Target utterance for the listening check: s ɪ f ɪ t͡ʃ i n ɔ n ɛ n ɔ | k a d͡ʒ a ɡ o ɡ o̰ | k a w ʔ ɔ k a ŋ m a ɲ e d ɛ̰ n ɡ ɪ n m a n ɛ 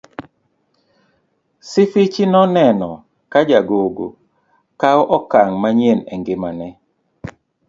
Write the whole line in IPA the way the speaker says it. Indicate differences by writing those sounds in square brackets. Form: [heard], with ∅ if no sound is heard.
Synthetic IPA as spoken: s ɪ f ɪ t͡ʃ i n ɔ n ɛ n ɔ | k a d͡ʒ a ɡ o ɡ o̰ | k a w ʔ ɔ k a ŋ m a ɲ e [n] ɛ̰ [ŋ] ɡ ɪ [∅] m a n ɛ